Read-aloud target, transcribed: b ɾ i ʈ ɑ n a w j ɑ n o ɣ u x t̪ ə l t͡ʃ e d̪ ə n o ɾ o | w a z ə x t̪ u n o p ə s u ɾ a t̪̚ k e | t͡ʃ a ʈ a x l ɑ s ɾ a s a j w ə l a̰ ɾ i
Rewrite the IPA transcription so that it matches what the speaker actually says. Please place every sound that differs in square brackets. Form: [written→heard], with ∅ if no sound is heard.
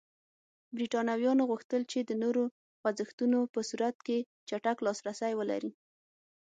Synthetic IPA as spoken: b ɾ i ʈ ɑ n a w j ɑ n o ɣ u x t̪ ə l t͡ʃ e d̪ ə n o ɾ o | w a z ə x t̪ u n o p ə s u ɾ a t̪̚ k e | t͡ʃ a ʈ a [x→k] l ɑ s ɾ a s a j w ə l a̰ ɾ i